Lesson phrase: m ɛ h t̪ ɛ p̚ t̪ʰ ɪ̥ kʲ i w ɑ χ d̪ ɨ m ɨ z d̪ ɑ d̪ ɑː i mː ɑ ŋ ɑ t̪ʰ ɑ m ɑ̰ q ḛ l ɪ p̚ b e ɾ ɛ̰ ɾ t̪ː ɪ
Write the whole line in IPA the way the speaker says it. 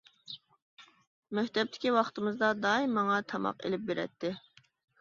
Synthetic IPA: m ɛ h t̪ ɛ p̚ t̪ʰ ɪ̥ kʲ i w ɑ χ t̪ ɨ m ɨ z d̪ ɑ d̪ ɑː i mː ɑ ŋ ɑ t̪ʰ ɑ m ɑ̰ q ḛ l ɪ p̚ b e ɾ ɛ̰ t̪ː ɪ